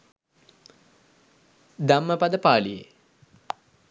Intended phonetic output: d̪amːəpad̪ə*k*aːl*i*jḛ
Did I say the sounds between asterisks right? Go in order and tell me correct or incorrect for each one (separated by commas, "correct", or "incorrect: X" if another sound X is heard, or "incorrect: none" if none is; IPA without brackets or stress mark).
incorrect: p, correct